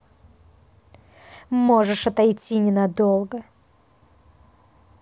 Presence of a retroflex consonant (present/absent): present